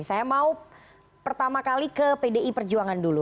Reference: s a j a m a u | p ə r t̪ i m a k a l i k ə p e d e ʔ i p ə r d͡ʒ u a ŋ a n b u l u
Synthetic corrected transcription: s a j a m a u | p ə r t̪ a m a k a l i k ə p e d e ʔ i p ə r d͡ʒ u a ŋ a n d u l u